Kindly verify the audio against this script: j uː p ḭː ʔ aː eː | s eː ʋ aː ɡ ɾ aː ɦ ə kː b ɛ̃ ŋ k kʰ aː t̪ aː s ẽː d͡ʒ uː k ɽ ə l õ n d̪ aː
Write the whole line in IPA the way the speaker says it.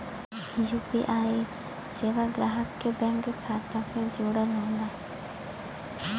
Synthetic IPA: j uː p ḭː ʔ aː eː | s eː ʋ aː ɡ ɾ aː ɦ ə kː b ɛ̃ ŋ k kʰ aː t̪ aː s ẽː d͡ʒ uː ɽ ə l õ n d̪ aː